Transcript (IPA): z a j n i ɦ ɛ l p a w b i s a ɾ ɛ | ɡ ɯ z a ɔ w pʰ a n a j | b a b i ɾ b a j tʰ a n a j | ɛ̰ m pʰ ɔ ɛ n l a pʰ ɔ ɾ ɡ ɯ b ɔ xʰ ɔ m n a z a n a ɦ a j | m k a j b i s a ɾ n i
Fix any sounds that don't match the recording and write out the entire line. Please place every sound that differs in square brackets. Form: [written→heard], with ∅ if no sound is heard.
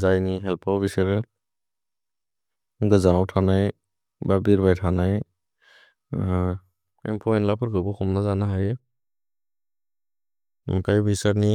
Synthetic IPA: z a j n i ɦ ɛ l p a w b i s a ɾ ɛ | ɡ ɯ z a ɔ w [pʰ→tʰ] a n a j | b a b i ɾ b a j tʰ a n a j | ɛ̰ m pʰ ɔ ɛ n l a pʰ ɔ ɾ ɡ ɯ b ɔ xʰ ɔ m n a z a n a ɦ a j | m k a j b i s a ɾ n i